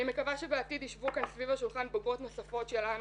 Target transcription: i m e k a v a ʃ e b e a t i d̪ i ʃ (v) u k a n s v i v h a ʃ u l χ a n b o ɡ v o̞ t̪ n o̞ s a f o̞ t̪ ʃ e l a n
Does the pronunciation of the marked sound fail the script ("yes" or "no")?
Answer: no